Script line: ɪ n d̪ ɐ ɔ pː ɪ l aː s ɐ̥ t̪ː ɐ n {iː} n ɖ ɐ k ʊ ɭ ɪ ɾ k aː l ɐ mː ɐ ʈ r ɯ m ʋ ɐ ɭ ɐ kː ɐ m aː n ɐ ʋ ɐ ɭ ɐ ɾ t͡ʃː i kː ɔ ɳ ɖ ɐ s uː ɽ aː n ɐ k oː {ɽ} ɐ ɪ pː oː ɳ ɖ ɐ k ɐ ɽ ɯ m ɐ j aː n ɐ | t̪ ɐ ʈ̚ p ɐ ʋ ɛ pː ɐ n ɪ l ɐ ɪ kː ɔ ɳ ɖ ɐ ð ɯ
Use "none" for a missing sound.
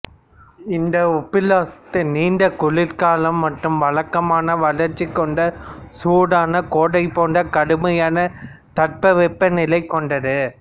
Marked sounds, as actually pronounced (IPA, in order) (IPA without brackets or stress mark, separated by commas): iː, ɽ